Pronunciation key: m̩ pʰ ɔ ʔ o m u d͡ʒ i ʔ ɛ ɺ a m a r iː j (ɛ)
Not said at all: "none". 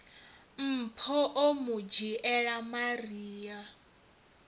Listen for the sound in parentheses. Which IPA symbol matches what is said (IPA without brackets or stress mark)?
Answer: a